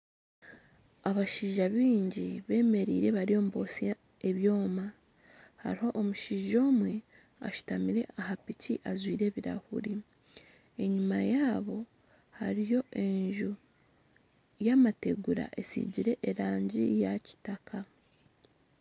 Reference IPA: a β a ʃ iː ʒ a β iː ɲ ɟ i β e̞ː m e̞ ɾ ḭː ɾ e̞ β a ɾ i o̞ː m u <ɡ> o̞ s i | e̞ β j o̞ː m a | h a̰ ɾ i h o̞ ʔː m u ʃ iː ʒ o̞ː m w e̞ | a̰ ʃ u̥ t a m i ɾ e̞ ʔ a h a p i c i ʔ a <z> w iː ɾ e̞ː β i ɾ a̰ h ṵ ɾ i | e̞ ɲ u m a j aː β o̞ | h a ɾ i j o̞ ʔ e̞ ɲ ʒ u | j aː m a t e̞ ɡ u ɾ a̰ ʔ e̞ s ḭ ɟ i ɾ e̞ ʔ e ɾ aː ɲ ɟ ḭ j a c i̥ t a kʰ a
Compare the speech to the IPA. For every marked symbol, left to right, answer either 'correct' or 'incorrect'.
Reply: incorrect, correct

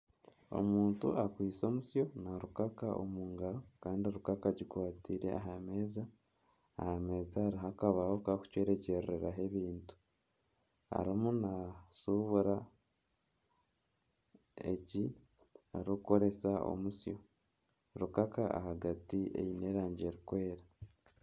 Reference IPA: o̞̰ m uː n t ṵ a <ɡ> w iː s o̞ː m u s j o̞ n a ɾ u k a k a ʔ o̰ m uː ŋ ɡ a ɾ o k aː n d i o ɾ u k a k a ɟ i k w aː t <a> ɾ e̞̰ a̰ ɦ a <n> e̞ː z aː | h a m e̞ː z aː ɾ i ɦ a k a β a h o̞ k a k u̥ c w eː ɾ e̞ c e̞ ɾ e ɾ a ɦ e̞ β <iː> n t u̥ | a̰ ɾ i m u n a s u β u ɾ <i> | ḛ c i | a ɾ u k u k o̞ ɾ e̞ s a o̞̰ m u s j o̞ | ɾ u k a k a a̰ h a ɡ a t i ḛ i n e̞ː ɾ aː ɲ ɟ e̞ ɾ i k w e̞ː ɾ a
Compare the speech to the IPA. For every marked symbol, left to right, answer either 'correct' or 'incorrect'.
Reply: incorrect, incorrect, incorrect, correct, incorrect

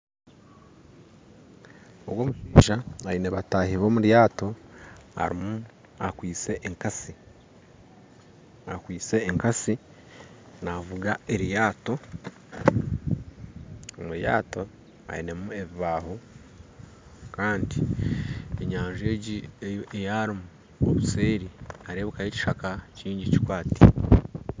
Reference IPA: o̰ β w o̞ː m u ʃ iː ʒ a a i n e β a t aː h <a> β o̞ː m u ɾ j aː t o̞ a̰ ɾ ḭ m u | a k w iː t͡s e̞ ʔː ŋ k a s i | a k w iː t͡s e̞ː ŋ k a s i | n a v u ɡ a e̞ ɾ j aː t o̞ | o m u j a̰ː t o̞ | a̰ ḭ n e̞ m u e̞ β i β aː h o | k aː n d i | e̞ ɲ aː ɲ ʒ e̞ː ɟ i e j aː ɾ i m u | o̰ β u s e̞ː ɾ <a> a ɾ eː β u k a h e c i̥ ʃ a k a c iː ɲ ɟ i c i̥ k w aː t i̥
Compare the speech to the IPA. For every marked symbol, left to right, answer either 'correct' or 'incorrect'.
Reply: incorrect, incorrect

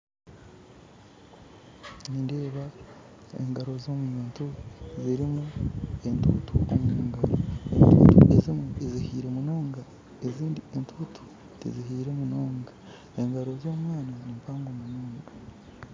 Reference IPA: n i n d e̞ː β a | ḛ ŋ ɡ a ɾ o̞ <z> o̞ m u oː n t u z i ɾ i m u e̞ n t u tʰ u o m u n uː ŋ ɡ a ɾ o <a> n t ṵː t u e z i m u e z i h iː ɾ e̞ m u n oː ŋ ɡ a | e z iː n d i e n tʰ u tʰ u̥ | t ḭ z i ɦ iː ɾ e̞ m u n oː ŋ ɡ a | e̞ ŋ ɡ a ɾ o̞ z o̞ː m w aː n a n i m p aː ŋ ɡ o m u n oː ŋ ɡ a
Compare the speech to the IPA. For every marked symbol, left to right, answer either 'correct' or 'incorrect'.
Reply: correct, incorrect

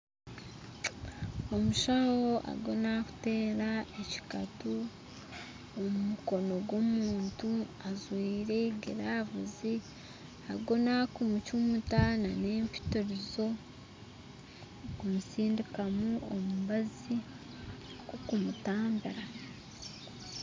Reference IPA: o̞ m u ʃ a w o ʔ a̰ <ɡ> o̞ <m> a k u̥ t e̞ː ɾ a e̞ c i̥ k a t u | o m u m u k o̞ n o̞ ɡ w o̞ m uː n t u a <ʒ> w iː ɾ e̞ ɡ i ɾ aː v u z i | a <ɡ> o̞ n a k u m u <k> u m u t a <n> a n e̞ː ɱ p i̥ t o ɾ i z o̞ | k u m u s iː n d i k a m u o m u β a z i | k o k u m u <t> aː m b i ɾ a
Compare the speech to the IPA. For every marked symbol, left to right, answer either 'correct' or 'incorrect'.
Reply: correct, incorrect, incorrect, correct, incorrect, correct, correct

